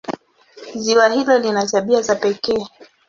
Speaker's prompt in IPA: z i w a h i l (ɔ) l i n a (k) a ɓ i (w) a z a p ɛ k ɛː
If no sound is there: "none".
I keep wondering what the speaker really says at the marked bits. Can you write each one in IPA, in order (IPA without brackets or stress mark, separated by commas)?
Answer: ɔ, t, none